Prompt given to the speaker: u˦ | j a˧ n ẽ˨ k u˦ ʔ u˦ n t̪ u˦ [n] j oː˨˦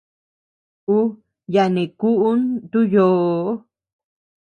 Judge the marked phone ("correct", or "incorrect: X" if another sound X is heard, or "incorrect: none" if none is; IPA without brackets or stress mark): incorrect: none